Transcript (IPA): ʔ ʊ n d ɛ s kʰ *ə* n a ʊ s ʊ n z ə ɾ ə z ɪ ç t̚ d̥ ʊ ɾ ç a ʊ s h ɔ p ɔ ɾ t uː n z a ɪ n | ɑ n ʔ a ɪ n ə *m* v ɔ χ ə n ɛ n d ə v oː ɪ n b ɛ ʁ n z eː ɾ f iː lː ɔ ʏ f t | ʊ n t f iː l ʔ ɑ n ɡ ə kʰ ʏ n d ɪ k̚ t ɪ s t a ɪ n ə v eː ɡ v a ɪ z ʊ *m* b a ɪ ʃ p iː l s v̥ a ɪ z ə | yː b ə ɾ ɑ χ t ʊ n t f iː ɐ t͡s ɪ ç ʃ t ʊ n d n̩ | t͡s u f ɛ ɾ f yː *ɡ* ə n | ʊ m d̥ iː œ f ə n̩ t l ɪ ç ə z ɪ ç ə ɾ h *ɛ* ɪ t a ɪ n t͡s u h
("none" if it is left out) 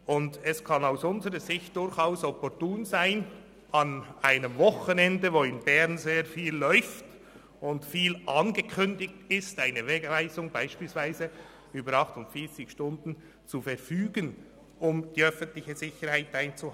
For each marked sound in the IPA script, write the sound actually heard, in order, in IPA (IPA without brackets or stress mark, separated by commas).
ɑ, m, ŋ, ɡ, a